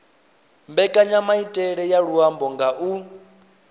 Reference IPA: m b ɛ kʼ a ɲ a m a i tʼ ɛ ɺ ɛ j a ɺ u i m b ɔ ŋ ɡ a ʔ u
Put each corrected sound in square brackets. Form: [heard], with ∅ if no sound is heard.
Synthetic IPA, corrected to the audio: m b ɛ kʼ a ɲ a m a i tʼ ɛ ɺ ɛ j a ɺ u [a] m b ɔ ŋ ɡ a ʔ u